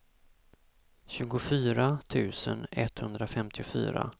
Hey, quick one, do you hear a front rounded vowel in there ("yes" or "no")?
yes